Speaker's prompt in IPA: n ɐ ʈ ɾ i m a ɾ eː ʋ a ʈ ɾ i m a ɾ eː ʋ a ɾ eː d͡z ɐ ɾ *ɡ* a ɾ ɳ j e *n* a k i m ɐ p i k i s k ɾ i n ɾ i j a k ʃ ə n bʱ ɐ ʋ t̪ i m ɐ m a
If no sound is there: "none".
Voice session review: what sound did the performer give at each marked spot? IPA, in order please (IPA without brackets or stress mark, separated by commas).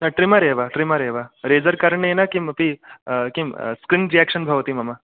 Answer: k, n